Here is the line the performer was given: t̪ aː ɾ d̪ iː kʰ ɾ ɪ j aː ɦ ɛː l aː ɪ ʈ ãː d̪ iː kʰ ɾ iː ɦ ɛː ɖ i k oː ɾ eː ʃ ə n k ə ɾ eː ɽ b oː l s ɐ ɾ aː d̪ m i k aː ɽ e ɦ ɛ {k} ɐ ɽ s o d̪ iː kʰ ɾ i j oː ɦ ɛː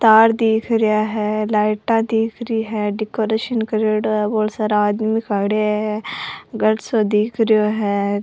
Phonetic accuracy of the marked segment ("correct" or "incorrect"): incorrect